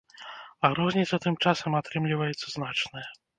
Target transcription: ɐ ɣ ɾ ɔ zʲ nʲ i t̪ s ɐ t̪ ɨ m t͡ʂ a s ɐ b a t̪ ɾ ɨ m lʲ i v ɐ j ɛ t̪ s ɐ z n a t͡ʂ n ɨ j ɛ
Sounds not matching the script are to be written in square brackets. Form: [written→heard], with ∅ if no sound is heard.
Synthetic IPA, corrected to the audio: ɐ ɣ ɾ ɔ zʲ nʲ i t̪ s ɐ t̪ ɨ m t͡ʂ a s ɐ [b→m] a t̪ ɾ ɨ m lʲ i v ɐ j ɛ t̪ s ɐ z n a t͡ʂ n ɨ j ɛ